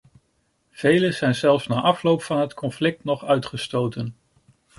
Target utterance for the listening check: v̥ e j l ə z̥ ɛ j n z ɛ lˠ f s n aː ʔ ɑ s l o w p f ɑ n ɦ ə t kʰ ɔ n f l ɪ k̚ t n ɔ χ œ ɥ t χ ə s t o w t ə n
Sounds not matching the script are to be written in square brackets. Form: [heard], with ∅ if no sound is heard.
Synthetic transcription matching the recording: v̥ e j l ə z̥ ɛ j n z ɛ lˠ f s n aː ʔ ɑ [f] l o w p f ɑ n ɦ ə t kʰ ɔ n f l ɪ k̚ t n ɔ χ œ ɥ t χ ə s t o w t ə n